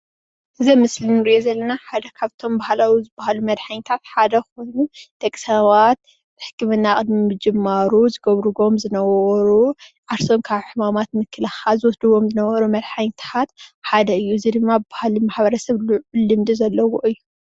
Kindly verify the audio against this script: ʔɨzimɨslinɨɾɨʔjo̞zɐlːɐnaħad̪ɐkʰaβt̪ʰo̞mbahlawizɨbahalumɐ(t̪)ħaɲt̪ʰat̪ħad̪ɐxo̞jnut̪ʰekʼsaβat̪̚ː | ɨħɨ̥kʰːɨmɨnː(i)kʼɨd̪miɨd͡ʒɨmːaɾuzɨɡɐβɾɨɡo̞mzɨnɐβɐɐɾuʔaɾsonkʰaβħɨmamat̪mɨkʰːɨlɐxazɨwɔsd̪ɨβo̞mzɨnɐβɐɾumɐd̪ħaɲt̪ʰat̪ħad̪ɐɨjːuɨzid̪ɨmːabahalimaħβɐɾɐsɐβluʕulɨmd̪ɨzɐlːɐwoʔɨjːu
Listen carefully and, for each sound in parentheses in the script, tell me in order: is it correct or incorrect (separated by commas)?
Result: incorrect, incorrect